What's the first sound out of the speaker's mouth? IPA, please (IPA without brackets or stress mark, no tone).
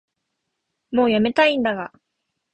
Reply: m